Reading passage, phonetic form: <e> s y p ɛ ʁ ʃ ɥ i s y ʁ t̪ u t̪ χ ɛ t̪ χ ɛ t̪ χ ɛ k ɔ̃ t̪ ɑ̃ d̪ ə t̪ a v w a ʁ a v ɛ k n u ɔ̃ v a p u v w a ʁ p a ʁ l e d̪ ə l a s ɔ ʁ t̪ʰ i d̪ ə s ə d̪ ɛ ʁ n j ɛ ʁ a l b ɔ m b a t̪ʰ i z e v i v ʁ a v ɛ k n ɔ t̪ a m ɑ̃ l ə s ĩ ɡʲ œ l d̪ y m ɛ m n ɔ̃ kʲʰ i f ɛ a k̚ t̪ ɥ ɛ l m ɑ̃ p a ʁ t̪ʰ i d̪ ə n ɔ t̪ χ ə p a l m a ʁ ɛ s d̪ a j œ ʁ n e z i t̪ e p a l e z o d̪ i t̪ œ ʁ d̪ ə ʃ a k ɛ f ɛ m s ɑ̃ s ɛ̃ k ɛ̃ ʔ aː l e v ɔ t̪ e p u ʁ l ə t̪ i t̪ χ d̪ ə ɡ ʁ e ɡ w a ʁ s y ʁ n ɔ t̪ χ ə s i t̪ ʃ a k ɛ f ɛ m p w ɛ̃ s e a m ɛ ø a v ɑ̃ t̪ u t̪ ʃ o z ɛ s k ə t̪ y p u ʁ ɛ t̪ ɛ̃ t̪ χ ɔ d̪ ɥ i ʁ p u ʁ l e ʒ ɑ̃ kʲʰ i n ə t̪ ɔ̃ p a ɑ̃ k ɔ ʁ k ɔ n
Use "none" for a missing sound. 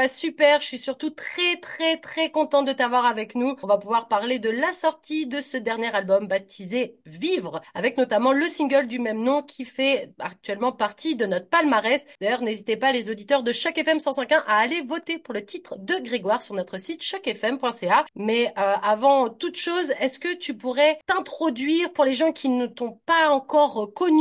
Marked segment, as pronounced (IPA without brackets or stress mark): a